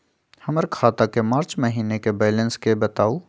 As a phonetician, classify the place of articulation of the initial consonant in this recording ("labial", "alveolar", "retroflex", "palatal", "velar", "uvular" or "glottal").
glottal